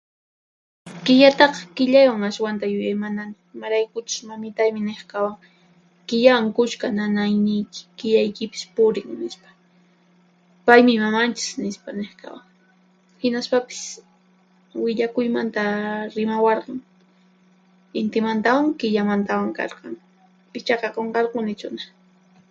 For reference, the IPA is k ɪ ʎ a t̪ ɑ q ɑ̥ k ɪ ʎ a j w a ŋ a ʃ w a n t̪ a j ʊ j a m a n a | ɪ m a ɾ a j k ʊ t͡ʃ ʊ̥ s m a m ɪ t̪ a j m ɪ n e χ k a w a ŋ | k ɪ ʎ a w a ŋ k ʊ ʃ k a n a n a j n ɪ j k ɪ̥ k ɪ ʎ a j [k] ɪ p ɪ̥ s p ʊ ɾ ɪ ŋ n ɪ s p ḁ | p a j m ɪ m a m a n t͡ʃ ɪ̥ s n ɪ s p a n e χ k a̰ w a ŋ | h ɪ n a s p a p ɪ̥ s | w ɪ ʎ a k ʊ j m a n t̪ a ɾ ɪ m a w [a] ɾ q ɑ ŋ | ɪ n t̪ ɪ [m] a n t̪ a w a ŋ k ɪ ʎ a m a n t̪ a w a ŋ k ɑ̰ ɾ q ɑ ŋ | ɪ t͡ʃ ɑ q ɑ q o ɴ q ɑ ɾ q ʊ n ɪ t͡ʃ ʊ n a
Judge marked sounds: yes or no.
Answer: yes, no, yes

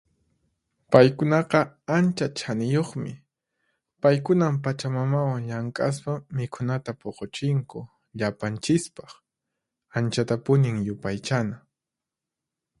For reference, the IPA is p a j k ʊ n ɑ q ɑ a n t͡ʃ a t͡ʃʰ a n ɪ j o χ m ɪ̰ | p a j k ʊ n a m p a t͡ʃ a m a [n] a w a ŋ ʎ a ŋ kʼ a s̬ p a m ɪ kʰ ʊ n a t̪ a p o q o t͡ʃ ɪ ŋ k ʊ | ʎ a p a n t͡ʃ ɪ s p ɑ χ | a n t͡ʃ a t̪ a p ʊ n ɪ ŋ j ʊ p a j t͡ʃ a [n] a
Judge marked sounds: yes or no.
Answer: no, yes

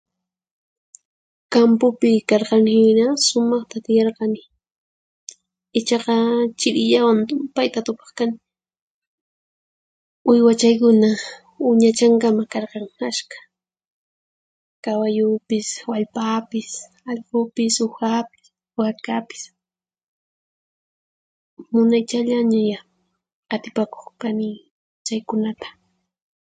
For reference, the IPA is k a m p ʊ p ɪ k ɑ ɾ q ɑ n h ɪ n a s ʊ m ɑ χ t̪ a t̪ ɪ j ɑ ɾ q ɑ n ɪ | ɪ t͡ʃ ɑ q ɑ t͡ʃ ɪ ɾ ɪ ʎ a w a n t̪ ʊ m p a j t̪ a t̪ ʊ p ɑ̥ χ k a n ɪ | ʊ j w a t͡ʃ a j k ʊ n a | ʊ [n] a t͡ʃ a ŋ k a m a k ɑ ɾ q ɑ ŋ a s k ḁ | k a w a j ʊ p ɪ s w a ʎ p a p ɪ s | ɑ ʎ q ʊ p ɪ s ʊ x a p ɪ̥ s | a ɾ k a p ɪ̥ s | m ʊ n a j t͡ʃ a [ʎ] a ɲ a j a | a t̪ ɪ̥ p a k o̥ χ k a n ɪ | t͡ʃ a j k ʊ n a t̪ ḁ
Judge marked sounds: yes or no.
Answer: no, yes

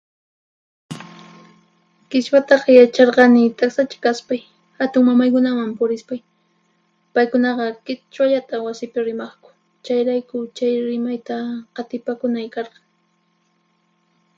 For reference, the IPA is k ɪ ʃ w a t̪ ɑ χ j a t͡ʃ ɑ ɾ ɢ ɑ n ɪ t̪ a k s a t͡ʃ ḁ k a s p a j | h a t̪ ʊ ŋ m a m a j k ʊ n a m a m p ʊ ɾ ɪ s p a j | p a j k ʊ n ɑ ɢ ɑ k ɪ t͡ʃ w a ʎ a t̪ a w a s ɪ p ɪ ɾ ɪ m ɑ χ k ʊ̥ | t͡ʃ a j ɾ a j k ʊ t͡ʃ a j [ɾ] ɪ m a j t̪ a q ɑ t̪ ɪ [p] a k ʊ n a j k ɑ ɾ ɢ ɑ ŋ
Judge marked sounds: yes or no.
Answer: yes, yes

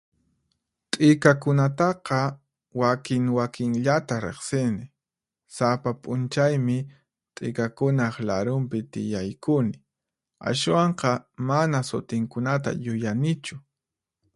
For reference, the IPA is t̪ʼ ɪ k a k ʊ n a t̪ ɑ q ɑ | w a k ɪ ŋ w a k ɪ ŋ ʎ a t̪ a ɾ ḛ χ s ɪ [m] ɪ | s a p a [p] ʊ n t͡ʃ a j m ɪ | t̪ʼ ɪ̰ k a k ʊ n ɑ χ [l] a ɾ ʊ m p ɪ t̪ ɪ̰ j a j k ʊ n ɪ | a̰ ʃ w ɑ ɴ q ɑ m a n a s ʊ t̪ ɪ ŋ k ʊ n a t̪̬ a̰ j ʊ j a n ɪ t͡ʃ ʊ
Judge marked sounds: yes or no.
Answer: no, no, yes

